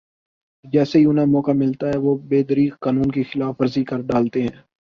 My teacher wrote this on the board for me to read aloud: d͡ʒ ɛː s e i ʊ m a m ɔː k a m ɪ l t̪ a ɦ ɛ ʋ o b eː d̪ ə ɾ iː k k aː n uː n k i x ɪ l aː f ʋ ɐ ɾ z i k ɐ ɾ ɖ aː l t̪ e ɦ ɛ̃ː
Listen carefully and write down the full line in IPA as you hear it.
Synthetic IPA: d͡ʒ ɛː s e i ʊ n a m ɔː k a m ɪ l t̪ a ɦ ɛ ʋ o b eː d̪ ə ɾ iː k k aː n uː n k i x ɪ l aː f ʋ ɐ ɾ z i k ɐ ɾ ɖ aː l t̪ e ɦ ɛ̃ː